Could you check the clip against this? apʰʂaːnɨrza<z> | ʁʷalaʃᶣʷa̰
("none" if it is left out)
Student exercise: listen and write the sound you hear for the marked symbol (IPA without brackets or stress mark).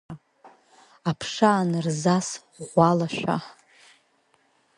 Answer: s